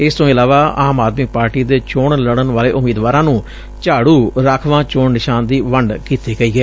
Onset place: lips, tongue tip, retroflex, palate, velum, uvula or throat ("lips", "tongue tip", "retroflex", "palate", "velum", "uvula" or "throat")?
tongue tip